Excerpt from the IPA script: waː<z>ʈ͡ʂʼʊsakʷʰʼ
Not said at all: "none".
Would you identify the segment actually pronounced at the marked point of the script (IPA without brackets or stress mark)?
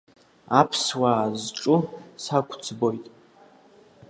z